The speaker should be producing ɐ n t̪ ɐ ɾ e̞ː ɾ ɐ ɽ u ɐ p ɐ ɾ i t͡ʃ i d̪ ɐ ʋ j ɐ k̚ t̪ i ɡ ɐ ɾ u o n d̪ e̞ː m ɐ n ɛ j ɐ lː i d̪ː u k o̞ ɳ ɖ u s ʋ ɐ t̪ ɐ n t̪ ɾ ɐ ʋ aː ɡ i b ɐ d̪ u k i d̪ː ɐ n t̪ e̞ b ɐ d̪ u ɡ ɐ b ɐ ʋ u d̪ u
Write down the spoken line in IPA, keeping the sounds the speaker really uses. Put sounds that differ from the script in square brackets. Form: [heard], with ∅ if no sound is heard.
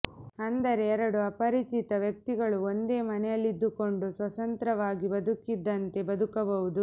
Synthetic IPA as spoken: ɐ n [d̪] ɐ ɾ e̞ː ɾ ɐ ɽ u ɐ p ɐ ɾ i t͡ʃ i [t̪] ɐ ʋ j ɐ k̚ t̪ i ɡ ɐ [ɭ] u o n d̪ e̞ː m ɐ n ɛ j ɐ lː i d̪ː u k o̞ ɳ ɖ u s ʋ ɐ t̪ ɐ n t̪ ɾ ɐ ʋ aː ɡ i b ɐ d̪ u k i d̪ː ɐ n t̪ e̞ b ɐ d̪ u [k] ɐ b ɐ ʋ u d̪ u